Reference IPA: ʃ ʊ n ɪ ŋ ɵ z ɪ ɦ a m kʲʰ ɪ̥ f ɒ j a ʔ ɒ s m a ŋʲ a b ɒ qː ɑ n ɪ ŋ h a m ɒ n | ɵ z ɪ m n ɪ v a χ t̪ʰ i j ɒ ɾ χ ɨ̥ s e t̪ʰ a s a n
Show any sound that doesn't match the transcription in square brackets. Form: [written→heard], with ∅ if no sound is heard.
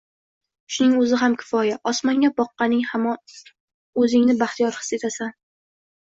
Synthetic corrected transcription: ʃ ʊ n ɪ ŋ ɵ z ɪ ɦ a m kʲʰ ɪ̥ f ɒ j a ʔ ɒ s m a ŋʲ a b ɒ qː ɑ n ɪ ŋ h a m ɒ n | ɵ z ɪ [m→ŋ] n ɪ [v→b] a χ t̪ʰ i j ɒ ɾ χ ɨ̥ s e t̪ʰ a s a n